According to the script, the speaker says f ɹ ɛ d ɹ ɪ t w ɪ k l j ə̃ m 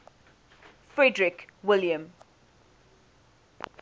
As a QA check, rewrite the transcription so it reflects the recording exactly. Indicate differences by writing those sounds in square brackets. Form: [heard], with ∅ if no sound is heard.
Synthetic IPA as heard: f ɹ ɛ d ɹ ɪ [k] w ɪ [∅] l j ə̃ m